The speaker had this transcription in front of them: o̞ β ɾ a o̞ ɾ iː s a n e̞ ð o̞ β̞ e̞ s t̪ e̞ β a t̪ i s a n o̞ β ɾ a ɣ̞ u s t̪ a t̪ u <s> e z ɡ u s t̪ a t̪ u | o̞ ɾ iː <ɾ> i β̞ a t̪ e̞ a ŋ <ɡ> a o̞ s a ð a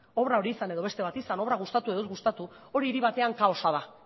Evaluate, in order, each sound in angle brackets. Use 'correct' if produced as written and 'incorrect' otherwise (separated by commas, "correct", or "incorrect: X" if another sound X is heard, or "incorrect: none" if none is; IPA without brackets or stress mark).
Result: incorrect: none, correct, incorrect: k